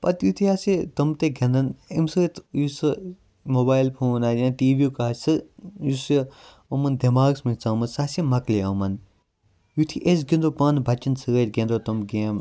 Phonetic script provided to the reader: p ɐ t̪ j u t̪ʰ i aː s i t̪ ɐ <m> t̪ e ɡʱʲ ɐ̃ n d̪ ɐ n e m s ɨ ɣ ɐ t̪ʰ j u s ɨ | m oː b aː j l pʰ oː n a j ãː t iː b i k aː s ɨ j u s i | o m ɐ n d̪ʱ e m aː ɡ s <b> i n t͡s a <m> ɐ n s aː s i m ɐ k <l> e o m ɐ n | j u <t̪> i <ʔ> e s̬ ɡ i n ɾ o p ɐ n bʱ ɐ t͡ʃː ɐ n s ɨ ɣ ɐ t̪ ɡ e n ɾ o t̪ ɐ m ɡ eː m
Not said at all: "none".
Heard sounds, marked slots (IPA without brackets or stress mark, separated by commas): m, m, m, l, t̪ʰ, ʔ